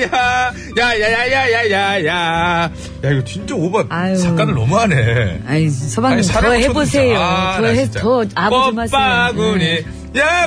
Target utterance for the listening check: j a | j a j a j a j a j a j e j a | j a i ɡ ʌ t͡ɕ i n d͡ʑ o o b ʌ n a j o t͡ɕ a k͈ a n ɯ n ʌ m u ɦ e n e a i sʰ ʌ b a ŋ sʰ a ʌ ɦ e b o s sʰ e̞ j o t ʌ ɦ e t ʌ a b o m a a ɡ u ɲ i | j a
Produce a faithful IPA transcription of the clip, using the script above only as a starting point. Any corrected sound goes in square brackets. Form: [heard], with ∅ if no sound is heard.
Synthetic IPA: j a | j a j a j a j a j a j [a] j a | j a i ɡ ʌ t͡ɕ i n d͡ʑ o o b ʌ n a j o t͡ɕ a k͈ a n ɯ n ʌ m u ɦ [a] n e a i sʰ ʌ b a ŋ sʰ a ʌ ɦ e b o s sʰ e̞ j o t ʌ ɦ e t ʌ a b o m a a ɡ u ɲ i | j a